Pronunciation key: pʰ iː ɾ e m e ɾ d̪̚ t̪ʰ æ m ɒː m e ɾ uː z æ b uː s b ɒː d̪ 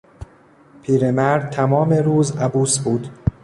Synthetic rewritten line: pʰ iː ɾ e m æ ɾ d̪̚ t̪ʰ æ m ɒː m e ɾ uː z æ b uː s b uː d̪